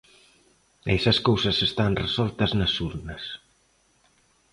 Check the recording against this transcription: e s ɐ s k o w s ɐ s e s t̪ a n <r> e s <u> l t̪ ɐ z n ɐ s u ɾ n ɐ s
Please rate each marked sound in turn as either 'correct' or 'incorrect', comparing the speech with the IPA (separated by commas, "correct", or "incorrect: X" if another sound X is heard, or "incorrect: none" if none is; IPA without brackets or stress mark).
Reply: correct, incorrect: ɔ